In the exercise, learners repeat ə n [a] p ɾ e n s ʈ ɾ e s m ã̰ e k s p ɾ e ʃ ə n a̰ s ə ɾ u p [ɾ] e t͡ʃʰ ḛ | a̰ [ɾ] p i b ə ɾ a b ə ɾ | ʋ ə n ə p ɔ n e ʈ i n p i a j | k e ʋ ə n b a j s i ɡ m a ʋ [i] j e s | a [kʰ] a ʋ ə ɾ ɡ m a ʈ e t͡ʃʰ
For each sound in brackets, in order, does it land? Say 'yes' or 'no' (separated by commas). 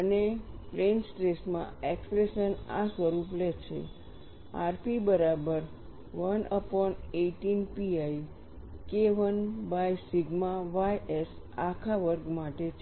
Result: no, no, yes, no, yes